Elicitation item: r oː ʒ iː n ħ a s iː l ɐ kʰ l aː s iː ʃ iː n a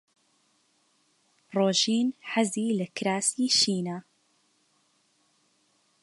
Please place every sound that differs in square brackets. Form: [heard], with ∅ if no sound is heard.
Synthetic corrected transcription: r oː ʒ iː n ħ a [z] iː l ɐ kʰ [ɾ] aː s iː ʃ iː n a